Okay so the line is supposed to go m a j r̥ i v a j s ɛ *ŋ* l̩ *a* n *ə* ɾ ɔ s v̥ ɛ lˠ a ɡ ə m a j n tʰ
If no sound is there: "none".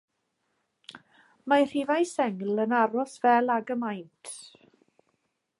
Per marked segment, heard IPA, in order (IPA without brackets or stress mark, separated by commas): ŋ, ə, a